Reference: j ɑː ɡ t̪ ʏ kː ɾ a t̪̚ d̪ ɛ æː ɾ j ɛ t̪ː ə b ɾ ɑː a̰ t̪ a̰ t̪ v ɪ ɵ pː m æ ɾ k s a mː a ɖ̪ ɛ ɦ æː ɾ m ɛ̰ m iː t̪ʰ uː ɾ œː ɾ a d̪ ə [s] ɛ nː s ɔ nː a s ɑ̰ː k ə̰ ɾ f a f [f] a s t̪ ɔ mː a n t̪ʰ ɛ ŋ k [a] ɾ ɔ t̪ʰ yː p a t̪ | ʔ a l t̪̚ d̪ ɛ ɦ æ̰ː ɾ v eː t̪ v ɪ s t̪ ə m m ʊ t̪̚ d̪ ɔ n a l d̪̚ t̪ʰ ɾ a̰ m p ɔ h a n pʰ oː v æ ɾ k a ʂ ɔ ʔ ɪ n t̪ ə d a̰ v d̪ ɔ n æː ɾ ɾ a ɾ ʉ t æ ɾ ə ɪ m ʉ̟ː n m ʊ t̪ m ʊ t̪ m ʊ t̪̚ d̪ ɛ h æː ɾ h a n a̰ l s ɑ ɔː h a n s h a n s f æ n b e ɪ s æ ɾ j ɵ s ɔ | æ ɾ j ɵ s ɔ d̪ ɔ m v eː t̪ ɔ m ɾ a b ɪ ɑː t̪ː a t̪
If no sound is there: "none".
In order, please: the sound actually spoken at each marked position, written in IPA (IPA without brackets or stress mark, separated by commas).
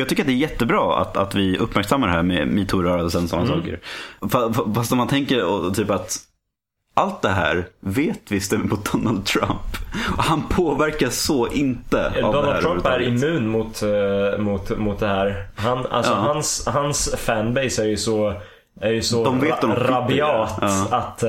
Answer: s, f, ə